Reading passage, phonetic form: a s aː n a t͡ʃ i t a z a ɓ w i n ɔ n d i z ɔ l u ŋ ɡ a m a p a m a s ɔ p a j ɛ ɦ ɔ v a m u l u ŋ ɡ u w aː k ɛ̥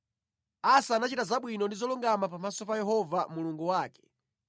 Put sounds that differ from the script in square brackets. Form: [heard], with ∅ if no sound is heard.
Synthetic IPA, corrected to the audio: a s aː n a t͡ʃ i t a z a ɓ w i n ɔ n d i z ɔ l u ŋ ɡ a m a p a m a s ɔ p a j ɛ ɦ ɔ v a m u l u ŋ ɡ u w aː k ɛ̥

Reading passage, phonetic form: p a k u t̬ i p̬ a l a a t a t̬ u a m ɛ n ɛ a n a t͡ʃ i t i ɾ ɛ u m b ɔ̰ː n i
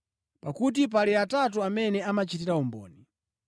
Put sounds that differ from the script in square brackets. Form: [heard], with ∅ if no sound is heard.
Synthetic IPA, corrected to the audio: p a k u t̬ i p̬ a l [i] a t a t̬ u a m ɛ n ɛ a [m] a t͡ʃ i t i ɾ [a] u m b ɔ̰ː n i

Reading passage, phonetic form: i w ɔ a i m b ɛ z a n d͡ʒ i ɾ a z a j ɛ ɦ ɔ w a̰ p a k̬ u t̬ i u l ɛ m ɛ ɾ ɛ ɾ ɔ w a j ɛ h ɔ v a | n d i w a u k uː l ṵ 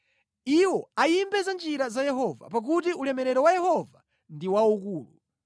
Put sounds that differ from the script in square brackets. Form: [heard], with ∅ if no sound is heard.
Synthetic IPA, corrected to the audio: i w ɔ a i m b ɛ z a n d͡ʒ i ɾ a z a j ɛ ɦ ɔ [v] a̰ p a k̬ u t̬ i u l ɛ m ɛ ɾ ɛ ɾ ɔ w a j ɛ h ɔ v a | n d i w a u k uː l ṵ

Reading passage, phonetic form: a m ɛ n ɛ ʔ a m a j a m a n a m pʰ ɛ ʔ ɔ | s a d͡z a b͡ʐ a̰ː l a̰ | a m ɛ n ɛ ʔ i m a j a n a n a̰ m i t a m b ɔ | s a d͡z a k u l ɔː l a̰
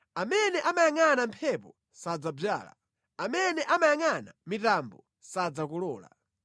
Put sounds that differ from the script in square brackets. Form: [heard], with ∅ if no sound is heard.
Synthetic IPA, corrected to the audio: a m ɛ n ɛ ʔ a m a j a [ŋ] a n a m pʰ ɛ [p] ɔ | s a d͡z a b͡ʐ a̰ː l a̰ | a m ɛ n ɛ ʔ [a] m a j a [ŋ] a n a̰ m i t a m b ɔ | s a d͡z a k u l ɔː l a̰

